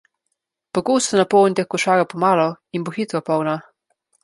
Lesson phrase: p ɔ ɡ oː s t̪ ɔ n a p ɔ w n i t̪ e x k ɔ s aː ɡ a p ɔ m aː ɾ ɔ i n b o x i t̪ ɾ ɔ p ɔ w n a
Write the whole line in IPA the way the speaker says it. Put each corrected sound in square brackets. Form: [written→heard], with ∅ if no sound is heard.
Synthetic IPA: p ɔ ɡ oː s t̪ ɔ n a p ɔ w n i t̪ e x k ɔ [s→ʃ] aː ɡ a p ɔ m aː [ɾ→l] ɔ i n b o x i t̪ ɾ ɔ p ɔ w n a